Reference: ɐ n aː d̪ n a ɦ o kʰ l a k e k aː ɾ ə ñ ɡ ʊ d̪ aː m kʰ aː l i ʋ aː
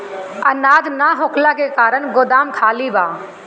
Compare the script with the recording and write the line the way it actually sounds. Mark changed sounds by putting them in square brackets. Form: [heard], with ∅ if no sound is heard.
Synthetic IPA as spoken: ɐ n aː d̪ n a ɦ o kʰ l a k e k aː ɾ ə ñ ɡ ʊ d̪ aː m kʰ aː l i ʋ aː